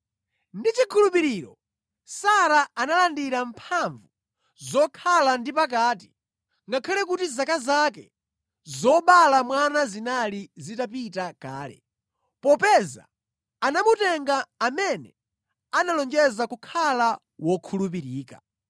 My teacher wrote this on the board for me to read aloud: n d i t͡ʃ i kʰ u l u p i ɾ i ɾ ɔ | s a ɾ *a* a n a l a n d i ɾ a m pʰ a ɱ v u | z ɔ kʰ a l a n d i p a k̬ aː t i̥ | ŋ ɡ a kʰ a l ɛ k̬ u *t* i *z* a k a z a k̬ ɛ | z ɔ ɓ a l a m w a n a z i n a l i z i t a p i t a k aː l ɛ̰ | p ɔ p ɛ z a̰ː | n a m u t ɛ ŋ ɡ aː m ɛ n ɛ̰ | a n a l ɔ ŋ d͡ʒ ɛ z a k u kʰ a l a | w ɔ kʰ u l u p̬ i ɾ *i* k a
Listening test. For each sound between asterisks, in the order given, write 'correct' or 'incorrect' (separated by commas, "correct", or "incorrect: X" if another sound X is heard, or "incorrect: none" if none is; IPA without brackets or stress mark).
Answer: correct, correct, correct, incorrect: iː